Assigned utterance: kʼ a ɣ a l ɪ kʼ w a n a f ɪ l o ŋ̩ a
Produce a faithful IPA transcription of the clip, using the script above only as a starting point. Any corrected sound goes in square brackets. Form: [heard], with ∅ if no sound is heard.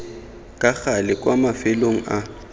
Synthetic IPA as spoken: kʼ a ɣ a l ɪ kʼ w a [m] a f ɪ l o ŋ̩ a